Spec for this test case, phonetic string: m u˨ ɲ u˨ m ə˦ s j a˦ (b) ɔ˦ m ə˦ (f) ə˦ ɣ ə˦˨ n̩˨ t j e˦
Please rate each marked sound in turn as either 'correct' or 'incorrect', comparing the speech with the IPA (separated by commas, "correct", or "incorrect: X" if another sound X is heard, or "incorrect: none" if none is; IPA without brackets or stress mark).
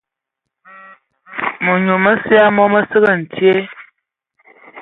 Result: incorrect: m, incorrect: s